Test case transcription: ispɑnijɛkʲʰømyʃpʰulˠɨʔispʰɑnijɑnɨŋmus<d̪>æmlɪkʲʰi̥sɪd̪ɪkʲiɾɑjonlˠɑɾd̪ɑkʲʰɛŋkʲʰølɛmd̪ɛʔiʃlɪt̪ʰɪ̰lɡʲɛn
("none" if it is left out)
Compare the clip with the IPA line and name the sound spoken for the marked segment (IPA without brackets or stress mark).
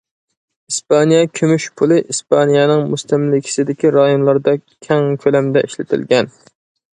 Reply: t̪